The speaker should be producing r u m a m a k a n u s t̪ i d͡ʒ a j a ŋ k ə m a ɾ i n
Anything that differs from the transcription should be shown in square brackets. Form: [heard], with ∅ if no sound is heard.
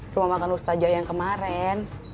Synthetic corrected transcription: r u m a m a k a n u s t̪ [a] d͡ʒ a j a ŋ k ə m a ɾ [ɛ] n